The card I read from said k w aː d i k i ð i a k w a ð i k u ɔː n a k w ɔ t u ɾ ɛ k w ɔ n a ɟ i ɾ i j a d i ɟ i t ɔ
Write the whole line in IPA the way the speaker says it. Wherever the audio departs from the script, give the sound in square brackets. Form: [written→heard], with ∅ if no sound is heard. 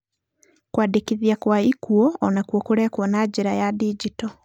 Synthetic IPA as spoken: k w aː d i k i ð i a k w a [ð→∅] i k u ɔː n a k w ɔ [t→k] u ɾ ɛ k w ɔ n a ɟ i ɾ [i→a] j a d i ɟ i t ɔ